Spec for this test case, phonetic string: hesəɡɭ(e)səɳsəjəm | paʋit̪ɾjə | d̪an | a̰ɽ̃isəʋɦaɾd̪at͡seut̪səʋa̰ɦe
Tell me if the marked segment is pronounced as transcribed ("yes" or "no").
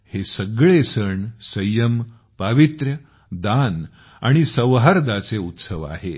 yes